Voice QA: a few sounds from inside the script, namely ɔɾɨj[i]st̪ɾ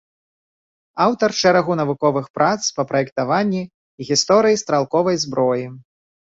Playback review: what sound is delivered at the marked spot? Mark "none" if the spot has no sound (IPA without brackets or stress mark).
i